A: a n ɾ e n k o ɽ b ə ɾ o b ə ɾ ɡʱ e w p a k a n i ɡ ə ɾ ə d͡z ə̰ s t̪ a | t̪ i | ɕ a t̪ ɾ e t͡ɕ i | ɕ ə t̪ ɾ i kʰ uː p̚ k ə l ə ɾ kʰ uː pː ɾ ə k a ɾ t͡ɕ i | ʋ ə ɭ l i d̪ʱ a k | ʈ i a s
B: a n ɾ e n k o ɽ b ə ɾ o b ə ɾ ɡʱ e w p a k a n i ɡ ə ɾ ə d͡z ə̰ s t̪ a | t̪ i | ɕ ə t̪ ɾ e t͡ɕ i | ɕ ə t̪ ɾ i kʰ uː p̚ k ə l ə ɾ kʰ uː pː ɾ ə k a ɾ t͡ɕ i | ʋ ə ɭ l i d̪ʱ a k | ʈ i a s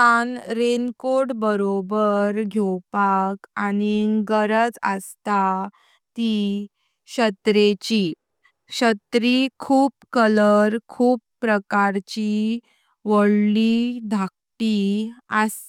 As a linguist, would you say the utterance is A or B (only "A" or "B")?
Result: B